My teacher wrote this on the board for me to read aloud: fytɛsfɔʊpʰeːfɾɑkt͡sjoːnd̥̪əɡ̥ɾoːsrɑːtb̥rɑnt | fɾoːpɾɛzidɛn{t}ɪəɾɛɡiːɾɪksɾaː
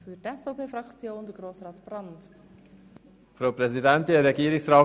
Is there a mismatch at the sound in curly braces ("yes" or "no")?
no